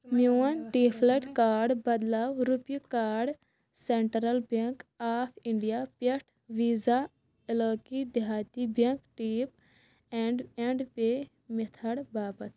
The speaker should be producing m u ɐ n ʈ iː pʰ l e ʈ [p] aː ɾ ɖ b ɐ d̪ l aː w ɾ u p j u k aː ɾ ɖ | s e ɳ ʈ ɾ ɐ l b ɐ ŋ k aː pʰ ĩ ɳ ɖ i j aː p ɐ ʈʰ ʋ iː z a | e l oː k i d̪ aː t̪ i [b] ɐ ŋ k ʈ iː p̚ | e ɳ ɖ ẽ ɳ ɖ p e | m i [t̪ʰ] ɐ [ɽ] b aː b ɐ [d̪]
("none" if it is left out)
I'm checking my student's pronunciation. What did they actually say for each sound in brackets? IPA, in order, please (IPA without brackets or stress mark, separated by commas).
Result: k, b, t̪ʰ, ɽ, t̪